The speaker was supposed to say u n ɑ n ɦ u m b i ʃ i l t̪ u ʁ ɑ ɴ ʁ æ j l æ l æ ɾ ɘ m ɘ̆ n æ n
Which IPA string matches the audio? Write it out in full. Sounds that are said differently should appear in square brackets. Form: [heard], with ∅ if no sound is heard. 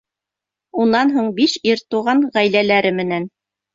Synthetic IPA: u n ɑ n ɦ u [ɴ] b i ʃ i [ɾ] t̪ u ʁ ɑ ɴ ʁ æ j l æ l æ ɾ ɘ m ɘ̆ n æ n